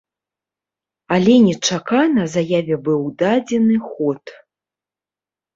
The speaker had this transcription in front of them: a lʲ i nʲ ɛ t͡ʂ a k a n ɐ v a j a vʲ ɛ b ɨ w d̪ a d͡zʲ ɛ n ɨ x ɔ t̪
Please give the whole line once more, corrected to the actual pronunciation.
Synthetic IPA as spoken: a lʲ ɛ nʲ ɛ t͡ʂ a k a n ɐ z a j a vʲ ɛ b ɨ w d̪ a d͡zʲ ɛ n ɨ x ɔ t̪